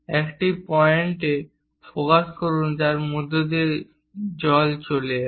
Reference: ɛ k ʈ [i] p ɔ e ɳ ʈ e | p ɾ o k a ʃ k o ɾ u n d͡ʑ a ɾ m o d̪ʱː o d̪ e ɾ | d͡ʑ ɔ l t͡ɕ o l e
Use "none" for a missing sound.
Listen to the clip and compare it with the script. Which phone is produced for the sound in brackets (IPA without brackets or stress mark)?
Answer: i